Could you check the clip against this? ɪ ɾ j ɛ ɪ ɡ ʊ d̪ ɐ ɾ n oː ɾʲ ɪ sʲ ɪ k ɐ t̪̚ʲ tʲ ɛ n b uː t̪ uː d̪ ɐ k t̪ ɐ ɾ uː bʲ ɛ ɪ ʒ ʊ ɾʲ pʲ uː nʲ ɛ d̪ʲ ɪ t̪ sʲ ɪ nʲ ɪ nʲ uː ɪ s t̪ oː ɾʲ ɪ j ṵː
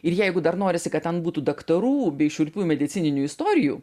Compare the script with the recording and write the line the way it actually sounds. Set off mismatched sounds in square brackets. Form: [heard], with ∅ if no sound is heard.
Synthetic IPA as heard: ɪ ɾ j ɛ ɪ ɡ ʊ d̪ ɐ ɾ n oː ɾʲ ɪ sʲ ɪ k ɐ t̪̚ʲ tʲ ɛ n b uː t̪ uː d̪ ɐ k t̪ ɐ ɾ uː bʲ ɛ ɪ [ʃ] ʊ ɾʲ pʲ uː [mʲ] ɛ d̪ʲ ɪ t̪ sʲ ɪ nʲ ɪ nʲ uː ɪ s t̪ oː ɾʲ ɪ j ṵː